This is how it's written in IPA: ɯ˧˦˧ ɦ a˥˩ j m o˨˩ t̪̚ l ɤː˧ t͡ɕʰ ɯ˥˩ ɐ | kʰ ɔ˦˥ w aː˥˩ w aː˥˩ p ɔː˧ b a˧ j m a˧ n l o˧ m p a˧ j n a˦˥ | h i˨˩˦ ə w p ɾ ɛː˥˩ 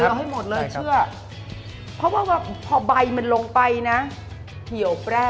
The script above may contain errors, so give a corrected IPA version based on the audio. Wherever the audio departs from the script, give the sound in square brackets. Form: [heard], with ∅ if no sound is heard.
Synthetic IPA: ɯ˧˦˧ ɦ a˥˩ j m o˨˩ t̪̚ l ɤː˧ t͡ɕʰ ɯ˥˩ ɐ | [pʰ] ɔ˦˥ w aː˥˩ w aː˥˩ [pʰ] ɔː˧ b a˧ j m a˧ n l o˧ [ŋ] p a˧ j n a˦˥ | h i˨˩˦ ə w p ɾ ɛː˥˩